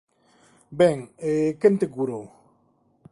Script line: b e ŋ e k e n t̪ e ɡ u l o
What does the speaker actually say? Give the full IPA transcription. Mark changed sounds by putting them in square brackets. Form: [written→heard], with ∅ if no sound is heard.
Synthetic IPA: b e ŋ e k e n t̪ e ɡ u [l→ɾ] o